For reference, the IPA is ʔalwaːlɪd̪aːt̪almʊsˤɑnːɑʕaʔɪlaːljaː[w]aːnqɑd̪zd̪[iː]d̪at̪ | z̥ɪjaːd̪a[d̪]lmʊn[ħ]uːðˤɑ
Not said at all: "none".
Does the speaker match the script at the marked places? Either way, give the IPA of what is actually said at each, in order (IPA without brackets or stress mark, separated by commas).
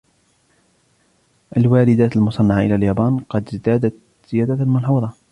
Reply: b, aː, none, ħ